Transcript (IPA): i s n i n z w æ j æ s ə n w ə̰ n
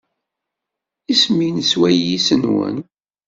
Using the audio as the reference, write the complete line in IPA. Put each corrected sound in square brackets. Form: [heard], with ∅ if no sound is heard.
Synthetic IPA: i s [m] i n [s] w æ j [i] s ə n w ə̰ n